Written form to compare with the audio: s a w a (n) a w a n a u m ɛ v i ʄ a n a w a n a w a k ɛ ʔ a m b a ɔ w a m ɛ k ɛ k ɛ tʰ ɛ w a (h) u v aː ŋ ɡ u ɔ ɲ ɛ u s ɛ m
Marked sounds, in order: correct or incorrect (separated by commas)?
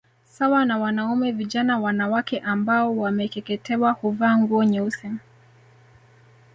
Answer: correct, correct